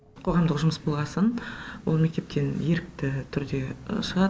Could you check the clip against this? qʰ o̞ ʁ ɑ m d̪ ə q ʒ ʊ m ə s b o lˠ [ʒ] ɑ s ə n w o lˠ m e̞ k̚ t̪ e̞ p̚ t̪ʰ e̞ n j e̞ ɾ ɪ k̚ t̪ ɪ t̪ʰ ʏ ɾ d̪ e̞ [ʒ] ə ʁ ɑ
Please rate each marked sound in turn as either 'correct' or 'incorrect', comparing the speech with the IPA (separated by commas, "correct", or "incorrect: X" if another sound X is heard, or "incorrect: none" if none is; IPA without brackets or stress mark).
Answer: incorrect: ʁ, incorrect: ʃ